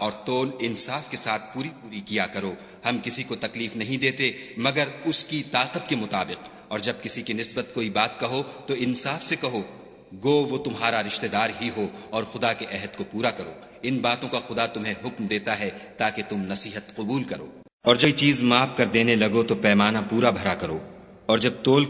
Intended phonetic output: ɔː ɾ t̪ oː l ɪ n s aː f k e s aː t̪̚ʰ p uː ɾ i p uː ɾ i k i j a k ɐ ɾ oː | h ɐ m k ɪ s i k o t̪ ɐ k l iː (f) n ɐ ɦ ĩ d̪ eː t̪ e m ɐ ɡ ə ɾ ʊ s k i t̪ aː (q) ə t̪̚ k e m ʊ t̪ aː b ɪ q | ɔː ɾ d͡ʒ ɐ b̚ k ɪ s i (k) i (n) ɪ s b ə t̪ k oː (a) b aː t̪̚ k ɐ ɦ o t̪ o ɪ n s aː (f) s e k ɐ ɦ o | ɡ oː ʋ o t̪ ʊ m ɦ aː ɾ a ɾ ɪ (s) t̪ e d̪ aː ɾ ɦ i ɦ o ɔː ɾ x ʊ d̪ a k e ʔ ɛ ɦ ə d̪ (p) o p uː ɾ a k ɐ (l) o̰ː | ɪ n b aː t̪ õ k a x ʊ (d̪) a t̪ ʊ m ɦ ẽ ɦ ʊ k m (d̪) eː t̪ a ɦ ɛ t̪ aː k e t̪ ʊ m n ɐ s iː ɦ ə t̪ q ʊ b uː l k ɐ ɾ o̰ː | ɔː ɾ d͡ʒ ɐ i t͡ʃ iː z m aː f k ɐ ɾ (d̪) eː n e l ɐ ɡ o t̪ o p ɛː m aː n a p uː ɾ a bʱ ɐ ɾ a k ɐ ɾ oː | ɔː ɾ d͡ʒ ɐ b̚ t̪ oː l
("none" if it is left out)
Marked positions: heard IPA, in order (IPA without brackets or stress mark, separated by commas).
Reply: f, q, k, n, i, f, ʃ, k, ɾ, d̪, d̪, d̪